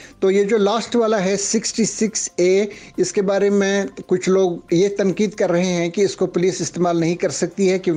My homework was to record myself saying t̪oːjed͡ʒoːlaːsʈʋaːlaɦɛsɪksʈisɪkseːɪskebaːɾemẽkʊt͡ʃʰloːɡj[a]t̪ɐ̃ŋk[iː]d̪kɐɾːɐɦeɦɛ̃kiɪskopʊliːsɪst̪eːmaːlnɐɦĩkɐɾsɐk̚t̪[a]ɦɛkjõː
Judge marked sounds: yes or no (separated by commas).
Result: no, yes, no